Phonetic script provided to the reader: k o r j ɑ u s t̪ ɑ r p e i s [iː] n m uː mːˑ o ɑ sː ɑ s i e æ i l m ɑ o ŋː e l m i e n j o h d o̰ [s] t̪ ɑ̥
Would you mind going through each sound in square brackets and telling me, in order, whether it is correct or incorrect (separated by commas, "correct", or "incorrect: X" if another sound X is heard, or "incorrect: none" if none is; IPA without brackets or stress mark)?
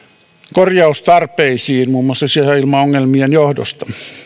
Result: correct, correct